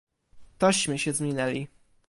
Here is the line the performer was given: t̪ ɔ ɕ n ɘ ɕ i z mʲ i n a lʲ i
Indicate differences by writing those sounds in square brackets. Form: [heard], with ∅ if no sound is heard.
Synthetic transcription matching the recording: t̪ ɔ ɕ [m] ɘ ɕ [ɛ] z mʲ i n [ɛ] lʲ i